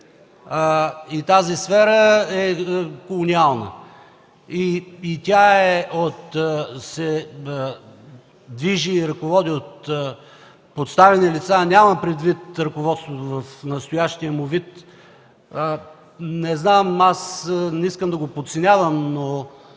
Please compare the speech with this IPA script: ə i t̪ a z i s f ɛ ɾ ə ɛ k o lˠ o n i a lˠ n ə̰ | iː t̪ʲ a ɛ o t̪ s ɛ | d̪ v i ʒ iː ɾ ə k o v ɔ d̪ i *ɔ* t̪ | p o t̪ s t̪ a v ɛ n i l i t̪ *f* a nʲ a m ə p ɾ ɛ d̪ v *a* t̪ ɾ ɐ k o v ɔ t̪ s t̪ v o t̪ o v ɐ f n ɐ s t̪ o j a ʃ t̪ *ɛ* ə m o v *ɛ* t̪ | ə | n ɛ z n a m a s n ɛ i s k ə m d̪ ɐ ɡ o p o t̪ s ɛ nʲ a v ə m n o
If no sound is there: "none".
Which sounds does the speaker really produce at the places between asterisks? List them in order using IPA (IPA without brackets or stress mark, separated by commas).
o, s, i, i, i